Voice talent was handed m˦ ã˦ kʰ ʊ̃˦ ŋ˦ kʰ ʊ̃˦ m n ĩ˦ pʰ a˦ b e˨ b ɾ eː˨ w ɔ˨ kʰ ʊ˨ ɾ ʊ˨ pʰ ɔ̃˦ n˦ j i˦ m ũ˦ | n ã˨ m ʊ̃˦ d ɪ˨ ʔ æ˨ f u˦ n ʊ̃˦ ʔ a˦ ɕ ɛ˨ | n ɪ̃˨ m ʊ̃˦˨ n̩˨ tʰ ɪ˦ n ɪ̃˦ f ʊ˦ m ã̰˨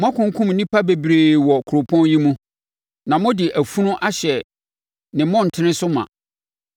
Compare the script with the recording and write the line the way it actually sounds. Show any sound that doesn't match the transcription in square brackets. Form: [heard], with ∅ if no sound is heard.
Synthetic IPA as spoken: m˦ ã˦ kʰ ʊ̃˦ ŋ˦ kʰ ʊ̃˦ m n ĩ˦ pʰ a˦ b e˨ b ɾ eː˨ w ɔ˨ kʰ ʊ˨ ɾ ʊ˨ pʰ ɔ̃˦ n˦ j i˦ m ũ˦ | n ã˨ m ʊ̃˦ d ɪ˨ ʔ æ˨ f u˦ n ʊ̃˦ ʔ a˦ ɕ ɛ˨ | n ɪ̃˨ m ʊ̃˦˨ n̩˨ tʰ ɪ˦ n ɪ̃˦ [s] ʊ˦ m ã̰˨